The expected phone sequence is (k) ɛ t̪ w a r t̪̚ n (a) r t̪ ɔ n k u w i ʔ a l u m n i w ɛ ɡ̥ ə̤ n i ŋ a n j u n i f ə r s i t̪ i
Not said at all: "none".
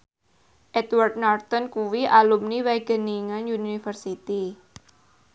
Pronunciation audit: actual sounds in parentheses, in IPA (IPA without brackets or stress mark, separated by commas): ʔ, a